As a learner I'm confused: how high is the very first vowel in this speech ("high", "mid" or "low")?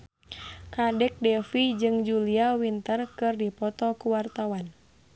low